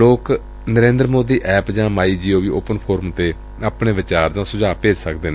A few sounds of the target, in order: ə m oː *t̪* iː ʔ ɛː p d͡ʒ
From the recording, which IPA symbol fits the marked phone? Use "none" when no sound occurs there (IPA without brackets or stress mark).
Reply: d̪